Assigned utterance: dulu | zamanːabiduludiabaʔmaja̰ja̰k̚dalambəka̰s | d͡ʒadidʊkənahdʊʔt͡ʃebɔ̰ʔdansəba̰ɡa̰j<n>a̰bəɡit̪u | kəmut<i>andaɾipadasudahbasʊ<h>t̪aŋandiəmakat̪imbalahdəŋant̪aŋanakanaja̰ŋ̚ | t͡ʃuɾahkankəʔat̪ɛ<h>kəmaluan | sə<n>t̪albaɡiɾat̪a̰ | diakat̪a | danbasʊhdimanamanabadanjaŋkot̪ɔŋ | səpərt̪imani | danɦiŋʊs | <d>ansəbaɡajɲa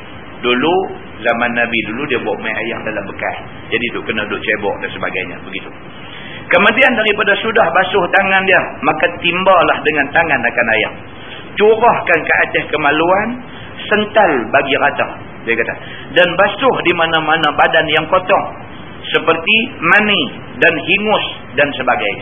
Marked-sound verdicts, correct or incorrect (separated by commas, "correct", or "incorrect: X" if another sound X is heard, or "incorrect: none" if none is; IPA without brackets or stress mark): incorrect: ɲ, correct, correct, correct, correct, correct